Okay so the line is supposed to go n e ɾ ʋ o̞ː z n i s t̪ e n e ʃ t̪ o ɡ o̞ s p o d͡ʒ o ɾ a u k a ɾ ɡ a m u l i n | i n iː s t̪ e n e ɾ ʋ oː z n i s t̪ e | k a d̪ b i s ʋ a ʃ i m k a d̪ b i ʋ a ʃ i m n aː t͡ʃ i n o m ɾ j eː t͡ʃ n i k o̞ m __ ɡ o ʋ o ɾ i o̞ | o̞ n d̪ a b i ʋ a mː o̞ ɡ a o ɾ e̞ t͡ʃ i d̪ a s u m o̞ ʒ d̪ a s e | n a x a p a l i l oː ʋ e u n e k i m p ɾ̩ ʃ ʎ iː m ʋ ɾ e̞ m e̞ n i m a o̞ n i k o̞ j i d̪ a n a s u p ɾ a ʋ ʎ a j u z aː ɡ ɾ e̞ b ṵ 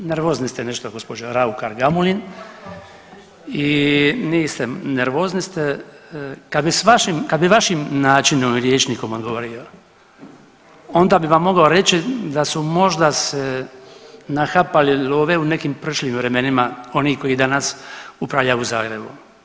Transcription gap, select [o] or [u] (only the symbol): o